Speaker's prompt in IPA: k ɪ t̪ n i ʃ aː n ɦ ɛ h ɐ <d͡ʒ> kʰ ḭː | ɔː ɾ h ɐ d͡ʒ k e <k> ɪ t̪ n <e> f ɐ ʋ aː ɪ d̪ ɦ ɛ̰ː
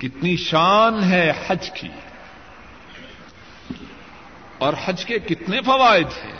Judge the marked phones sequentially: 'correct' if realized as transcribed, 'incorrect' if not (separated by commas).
correct, correct, correct